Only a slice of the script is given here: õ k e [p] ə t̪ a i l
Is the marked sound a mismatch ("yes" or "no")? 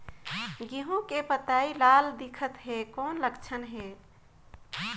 no